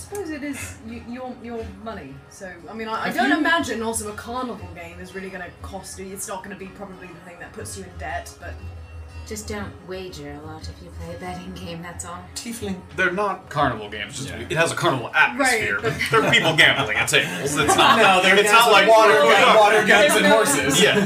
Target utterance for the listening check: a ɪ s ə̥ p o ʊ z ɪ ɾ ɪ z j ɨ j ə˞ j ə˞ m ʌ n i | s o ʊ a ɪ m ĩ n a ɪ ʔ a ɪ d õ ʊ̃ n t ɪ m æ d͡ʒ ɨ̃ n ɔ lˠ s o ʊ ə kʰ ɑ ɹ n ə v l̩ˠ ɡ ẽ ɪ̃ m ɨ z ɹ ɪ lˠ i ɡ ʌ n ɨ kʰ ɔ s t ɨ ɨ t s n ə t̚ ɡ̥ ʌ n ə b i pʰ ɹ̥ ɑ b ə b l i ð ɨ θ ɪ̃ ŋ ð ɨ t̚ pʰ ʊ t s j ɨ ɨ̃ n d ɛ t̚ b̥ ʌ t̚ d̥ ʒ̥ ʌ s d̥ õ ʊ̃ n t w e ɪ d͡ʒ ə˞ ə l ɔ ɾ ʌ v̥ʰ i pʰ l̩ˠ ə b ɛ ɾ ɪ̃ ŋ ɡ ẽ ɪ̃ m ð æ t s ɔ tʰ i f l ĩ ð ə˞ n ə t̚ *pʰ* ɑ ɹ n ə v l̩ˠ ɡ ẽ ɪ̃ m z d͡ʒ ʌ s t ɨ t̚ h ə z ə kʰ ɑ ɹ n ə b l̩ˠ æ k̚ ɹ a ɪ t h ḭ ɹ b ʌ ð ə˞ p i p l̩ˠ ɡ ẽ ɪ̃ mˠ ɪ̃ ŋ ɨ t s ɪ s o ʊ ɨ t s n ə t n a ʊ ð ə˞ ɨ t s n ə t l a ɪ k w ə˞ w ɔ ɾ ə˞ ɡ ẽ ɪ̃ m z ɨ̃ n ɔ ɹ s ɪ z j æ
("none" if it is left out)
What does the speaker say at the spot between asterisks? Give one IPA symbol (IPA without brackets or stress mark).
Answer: kʰ